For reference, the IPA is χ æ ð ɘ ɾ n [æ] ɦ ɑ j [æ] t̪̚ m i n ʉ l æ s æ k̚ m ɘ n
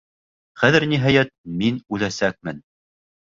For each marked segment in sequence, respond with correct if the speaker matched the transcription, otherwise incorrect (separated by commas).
incorrect, correct